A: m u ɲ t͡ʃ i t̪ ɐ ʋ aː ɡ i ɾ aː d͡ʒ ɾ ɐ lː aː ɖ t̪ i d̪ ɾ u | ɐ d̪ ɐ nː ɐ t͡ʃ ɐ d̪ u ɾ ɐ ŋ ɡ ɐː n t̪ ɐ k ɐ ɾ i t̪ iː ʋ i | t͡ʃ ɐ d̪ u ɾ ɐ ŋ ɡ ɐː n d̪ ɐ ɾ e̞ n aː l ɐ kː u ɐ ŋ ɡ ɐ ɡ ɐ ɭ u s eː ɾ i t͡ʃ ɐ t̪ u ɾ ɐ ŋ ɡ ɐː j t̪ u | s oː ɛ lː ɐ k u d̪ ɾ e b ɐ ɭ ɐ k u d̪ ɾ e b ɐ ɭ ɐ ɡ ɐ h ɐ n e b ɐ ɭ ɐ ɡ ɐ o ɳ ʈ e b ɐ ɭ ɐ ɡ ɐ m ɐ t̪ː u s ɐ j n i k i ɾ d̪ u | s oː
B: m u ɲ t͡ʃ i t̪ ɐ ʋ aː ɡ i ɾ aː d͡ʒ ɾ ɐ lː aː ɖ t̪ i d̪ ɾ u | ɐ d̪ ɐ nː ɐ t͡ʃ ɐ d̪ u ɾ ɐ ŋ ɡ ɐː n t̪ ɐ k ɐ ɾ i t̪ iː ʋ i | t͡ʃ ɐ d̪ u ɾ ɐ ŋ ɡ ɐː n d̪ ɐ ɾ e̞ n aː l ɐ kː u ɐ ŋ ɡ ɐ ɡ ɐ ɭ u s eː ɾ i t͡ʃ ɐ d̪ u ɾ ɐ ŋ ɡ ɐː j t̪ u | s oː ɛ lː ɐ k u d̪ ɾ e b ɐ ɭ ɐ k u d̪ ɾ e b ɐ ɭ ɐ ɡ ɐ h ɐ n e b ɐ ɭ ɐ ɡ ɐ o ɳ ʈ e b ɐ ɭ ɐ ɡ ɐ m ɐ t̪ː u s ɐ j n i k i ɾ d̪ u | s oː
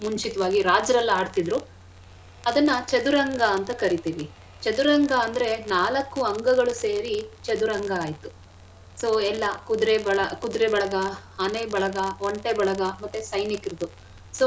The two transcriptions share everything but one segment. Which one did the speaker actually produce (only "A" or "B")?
B